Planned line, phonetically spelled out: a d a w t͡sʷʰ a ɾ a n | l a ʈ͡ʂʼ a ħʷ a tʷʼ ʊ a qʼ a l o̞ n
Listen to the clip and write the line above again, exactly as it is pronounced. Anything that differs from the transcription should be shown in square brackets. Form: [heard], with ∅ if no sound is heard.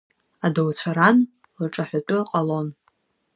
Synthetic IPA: a d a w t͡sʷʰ a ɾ a n | l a ʈ͡ʂʼ a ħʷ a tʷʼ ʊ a qʼ a l o̞ n